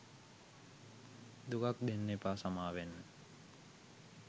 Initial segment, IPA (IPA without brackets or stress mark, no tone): d̪